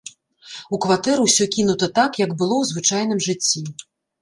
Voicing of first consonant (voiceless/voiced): voiceless